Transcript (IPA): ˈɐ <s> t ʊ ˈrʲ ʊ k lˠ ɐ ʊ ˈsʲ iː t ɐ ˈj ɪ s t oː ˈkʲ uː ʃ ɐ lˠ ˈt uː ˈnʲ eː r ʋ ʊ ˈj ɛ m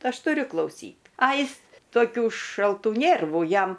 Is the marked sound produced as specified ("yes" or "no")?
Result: no